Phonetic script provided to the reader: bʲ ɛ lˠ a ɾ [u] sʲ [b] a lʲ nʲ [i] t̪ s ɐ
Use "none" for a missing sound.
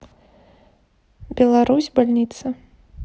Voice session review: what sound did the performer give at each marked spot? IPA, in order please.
u, b, i

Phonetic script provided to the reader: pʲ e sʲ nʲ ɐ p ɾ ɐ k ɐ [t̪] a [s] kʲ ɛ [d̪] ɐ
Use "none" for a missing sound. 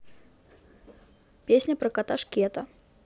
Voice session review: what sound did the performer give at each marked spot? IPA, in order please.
t̪, ʂ, t̪

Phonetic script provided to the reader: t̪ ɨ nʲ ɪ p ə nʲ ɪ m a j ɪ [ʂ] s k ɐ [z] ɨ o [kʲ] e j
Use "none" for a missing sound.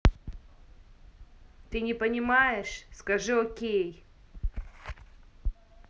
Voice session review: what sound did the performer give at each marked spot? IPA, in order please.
ʂ, ʐ, kʲ

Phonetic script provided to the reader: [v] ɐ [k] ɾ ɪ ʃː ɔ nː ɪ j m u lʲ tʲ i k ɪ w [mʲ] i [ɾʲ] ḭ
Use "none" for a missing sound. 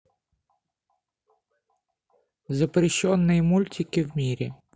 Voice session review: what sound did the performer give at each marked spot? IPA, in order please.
z, p, mʲ, ɾʲ

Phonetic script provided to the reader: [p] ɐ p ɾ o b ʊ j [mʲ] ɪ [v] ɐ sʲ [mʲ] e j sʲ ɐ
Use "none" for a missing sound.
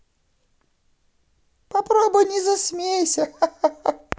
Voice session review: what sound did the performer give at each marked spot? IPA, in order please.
p, nʲ, z, mʲ

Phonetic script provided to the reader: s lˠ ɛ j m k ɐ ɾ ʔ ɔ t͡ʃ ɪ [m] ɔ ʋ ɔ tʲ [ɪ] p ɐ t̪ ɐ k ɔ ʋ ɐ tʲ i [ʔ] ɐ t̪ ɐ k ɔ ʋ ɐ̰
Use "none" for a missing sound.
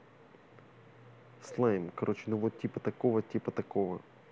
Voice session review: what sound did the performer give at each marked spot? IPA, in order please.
n, i, p

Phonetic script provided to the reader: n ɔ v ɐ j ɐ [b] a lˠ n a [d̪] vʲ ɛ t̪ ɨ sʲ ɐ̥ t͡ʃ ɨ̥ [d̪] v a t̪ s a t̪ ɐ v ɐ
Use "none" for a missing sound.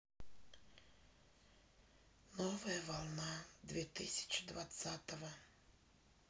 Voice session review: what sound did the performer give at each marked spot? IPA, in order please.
v, d̪, d̪

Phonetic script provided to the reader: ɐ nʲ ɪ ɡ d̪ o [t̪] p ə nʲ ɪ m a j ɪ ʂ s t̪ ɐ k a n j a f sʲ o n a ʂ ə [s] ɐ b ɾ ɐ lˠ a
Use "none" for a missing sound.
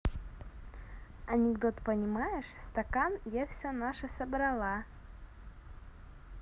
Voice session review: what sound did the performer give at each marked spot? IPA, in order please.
t̪, s

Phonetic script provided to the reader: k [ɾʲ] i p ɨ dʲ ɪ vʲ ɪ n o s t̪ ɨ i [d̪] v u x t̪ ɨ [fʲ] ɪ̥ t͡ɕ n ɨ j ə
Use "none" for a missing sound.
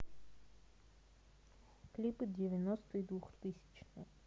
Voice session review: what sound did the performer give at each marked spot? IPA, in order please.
lʲ, d̪, sʲ

